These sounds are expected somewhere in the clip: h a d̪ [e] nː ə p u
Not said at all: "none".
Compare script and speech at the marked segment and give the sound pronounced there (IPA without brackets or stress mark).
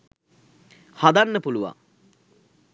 a